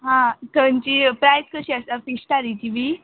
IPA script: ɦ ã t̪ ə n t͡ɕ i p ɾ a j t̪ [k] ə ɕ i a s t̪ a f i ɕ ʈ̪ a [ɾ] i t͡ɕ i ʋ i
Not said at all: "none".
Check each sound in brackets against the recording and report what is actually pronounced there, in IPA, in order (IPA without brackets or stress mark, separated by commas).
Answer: k, ɾ